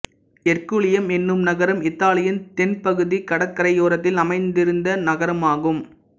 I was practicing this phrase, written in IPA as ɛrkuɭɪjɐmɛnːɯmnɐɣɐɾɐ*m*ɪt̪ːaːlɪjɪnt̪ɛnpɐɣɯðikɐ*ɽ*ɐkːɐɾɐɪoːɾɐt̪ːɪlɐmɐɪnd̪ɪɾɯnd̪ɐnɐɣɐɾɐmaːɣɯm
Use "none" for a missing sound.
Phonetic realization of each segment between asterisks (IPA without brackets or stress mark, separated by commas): m, ɽ